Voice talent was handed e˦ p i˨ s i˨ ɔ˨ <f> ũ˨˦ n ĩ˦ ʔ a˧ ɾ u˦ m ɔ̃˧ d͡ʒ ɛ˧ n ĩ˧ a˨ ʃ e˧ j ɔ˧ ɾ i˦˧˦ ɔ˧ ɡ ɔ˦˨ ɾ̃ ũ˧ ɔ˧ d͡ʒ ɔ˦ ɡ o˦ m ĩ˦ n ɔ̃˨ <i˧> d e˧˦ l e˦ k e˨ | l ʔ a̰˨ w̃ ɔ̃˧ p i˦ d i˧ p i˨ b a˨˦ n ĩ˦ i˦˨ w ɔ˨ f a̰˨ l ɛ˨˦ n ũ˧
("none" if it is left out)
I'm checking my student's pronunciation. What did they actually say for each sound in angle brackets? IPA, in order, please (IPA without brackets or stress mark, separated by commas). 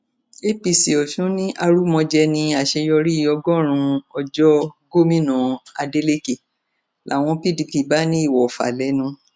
ʃ, a˧